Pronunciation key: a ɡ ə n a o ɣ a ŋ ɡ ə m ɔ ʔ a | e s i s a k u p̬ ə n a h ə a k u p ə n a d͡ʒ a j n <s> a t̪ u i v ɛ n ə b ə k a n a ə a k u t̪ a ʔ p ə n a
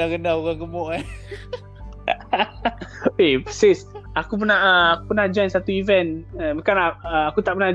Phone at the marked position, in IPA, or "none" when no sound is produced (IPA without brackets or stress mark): s